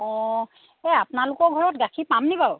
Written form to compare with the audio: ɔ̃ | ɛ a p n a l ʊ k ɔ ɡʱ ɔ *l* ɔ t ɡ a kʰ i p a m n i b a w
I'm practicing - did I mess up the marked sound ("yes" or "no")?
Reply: yes